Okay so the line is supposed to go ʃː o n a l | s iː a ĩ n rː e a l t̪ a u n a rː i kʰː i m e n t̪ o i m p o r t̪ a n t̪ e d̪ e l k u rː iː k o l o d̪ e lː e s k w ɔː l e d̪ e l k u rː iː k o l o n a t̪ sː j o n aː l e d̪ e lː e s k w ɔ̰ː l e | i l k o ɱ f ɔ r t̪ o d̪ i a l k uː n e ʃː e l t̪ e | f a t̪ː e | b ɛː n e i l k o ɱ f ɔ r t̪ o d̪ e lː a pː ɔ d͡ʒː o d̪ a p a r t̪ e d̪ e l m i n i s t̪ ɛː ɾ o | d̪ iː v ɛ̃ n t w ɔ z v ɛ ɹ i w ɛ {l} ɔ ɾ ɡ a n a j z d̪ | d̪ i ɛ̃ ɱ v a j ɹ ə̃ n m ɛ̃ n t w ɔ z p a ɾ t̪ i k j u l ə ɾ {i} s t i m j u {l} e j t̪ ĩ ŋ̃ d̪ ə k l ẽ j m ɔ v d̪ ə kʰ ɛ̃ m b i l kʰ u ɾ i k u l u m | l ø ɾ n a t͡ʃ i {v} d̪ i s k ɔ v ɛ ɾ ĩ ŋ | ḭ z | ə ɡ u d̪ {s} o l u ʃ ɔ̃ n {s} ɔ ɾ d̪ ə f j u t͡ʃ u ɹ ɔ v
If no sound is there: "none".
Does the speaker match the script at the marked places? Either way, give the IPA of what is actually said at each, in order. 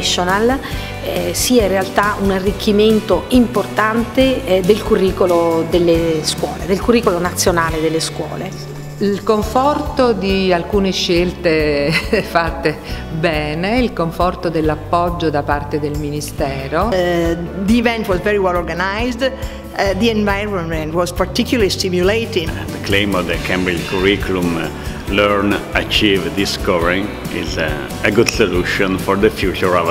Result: l, i, l, v, s, f

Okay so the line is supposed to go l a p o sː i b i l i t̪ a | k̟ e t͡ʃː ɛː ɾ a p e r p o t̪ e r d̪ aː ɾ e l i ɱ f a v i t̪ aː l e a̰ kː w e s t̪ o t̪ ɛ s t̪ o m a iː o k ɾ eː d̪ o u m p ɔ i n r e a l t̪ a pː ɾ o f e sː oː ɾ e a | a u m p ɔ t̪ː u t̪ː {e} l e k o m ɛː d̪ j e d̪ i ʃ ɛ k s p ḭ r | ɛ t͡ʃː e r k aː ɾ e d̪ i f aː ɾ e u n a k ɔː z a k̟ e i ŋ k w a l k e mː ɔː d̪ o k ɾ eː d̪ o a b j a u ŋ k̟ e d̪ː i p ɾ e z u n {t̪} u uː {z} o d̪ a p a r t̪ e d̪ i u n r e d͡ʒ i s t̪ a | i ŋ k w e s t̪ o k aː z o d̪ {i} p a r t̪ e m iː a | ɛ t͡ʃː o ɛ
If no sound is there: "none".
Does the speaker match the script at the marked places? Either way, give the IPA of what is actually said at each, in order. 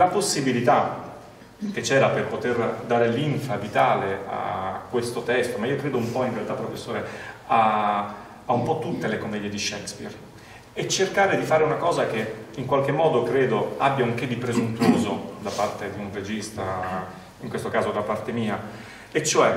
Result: e, t̪, z, a

